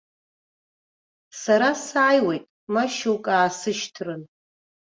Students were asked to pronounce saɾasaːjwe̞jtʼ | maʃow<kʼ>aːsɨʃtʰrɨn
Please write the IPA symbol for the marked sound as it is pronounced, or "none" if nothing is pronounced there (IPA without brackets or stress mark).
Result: kʼ